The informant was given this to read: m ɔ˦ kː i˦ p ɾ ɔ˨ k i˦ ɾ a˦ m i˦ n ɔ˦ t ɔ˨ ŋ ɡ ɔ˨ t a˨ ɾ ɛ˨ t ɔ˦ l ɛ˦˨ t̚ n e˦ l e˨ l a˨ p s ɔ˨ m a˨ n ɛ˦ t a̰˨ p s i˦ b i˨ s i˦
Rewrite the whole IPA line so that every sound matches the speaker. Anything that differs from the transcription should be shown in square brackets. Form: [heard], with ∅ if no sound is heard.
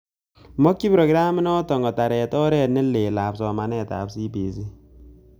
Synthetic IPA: m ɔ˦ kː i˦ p ɾ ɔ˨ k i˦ ɾ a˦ m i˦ n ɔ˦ t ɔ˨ ŋ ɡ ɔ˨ t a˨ ɾ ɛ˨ t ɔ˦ [ɾ] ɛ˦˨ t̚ n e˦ l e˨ l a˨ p s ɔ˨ m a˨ n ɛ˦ t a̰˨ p s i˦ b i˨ s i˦